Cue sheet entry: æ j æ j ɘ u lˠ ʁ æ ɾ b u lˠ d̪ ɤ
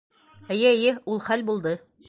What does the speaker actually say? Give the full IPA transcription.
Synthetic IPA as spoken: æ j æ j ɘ u lˠ χ æ l b u lˠ d̪ ɤ